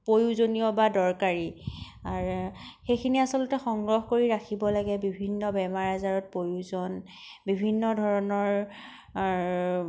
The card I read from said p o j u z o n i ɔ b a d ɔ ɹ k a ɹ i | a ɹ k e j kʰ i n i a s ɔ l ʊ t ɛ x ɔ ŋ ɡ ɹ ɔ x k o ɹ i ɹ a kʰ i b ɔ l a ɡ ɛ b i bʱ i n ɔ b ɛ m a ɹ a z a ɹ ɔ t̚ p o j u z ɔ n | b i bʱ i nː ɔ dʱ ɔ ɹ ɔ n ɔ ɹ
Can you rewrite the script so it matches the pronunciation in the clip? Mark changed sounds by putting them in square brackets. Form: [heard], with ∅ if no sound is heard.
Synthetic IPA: p o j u z o n i ɔ b a d ɔ ɹ k a ɹ i | a ɹ [x] e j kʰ i n i a s ɔ l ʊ t ɛ x ɔ ŋ ɡ ɹ ɔ x k o ɹ i ɹ a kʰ i b ɔ l a ɡ ɛ b i bʱ i [nː] ɔ b ɛ m a ɹ a z a ɹ ɔ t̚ p o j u z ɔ n | b i bʱ i nː ɔ dʱ ɔ ɹ ɔ n ɔ ɹ

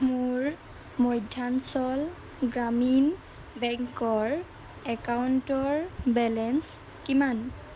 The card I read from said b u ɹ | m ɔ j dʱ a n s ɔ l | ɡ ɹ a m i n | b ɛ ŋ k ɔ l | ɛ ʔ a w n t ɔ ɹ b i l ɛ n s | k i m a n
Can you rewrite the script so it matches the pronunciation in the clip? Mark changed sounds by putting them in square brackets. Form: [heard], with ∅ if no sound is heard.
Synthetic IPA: [m] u ɹ | m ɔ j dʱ a n s ɔ l | ɡ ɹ a m i n | b ɛ ŋ k ɔ [ɹ] | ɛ [k] a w n t ɔ ɹ b [ɛ] l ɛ n s | k i m a n

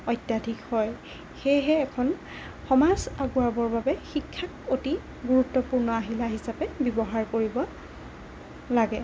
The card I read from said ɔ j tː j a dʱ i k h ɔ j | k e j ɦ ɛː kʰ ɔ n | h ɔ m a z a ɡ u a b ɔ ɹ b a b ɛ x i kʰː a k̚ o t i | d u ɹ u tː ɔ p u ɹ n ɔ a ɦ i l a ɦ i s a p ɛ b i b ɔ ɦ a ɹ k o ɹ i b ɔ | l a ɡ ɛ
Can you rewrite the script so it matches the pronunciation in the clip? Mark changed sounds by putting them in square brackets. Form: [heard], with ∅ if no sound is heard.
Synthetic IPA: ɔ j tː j a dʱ i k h ɔ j | [x] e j ɦ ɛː kʰ ɔ n | [x] ɔ m a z a ɡ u a b ɔ ɹ b a b ɛ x i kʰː a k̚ o t i | [ɡ] u ɹ u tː ɔ p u ɹ n ɔ a ɦ i l a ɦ i s a p ɛ b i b ɔ ɦ a ɹ k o ɹ i b ɔ | l a ɡ ɛ

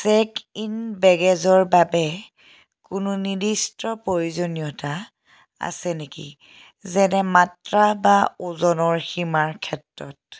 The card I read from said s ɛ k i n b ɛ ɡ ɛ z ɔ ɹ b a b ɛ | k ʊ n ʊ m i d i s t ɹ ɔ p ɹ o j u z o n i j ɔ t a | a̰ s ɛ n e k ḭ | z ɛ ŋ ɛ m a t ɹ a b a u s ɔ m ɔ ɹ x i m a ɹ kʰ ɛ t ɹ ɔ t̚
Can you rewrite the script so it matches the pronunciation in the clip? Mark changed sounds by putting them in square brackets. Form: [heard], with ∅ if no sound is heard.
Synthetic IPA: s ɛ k i n b ɛ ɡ ɛ z ɔ ɹ b a b ɛ | k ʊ n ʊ [n] i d i s t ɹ ɔ p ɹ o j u z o n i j ɔ t a | a̰ s ɛ n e k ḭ | z ɛ [n] ɛ m a t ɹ a b a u [z] ɔ [n] ɔ ɹ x i m a ɹ kʰ ɛ t ɹ ɔ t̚

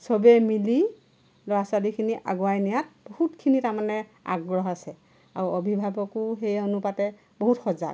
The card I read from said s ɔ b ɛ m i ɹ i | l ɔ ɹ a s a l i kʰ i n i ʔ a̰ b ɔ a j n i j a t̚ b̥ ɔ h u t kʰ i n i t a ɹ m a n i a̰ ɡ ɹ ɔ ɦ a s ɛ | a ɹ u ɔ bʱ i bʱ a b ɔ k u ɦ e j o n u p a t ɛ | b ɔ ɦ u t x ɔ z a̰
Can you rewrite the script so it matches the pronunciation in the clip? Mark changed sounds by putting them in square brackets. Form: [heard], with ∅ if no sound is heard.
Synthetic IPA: s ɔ b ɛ m i [l] i | l ɔ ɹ a s a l i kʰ i n i ʔ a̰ [ɡ] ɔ a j n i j a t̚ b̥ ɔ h u t kʰ i n i t a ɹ m a n [ɛ] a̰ ɡ ɹ ɔ ɦ a s ɛ | a ɹ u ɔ bʱ i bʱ a b ɔ k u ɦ e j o n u p a t ɛ | b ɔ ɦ u t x ɔ z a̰

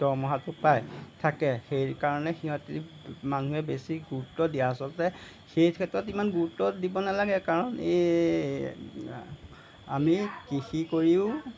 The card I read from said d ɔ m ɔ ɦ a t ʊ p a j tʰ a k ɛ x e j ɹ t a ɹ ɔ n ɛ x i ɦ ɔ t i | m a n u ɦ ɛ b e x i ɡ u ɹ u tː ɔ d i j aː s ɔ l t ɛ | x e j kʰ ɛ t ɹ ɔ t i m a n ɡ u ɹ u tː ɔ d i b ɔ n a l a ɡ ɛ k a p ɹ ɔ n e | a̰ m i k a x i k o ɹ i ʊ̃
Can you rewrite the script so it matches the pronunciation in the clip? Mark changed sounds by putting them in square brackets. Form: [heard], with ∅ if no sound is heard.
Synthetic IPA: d ɔ m ɔ ɦ a t ʊ p a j tʰ a k ɛ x e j ɹ [k] a ɹ ɔ n ɛ x i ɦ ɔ t i | m a n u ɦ ɛ b e [s] i ɡ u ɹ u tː ɔ d i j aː s ɔ l t ɛ | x e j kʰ ɛ t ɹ ɔ t i m a n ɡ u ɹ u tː ɔ d i b ɔ n a l a ɡ ɛ k a [∅] ɹ ɔ n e | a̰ m i k [i] x i k o ɹ i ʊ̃

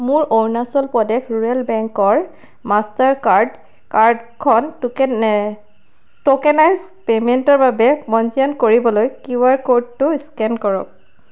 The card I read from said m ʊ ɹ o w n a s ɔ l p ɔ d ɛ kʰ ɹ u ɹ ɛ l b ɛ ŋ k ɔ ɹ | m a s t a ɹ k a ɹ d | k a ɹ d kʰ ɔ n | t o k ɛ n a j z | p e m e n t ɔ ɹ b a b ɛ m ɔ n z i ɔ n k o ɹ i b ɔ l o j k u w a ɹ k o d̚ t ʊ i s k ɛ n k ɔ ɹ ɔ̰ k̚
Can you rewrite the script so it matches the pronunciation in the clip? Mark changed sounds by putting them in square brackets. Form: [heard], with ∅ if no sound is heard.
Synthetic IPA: m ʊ ɹ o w n a s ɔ l p ɔ d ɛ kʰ ɹ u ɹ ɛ l b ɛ ŋ k ɔ ɹ | m a s t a ɹ k a ɹ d | k a ɹ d kʰ ɔ n | t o k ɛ n a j z | p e m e n t ɔ ɹ b a b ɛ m ɔ n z i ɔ n k o ɹ i b ɔ l o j k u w a ɹ k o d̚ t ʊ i s k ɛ n k ɔ ɹ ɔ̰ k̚

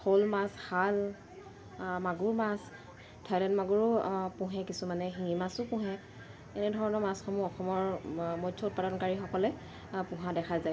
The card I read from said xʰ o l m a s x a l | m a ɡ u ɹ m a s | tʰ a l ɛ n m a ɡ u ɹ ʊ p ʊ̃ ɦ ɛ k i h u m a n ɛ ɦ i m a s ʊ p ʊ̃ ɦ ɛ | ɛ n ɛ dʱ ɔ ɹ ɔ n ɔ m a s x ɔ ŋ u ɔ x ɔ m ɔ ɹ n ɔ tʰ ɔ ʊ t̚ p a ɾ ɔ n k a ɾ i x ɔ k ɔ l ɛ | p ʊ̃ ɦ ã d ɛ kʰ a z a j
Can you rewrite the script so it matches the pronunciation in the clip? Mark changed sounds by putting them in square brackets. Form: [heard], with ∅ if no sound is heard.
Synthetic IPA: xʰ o l m a s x a l | m a ɡ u ɹ m a s | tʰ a l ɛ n m a ɡ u ɹ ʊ p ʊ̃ ɦ ɛ k i [s] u m a n ɛ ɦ i m a s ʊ p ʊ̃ ɦ ɛ | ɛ n ɛ dʱ ɔ ɹ ɔ n ɔ m a s x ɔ [m] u ɔ x ɔ m ɔ ɹ [m] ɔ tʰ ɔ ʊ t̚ p a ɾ ɔ n k a [ɹ] i x ɔ k ɔ l ɛ | p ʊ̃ ɦ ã d ɛ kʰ a z a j

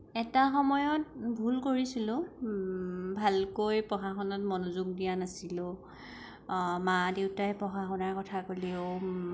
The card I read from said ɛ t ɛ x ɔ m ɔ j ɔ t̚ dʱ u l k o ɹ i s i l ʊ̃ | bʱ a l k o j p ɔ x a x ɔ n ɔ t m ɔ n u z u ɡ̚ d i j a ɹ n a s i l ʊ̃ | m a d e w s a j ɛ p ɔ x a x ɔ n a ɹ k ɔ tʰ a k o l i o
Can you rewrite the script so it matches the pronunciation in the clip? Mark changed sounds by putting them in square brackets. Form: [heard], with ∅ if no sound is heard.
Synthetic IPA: ɛ t [a] x ɔ m ɔ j ɔ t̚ [bʱ] u l k o ɹ i s i l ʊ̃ | bʱ a l k o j p ɔ x a x ɔ n ɔ t m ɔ n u z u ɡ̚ d i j a [∅] n a s i l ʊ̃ | m a d e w [t] a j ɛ p ɔ x a x ɔ n a ɹ k ɔ tʰ a k o l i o

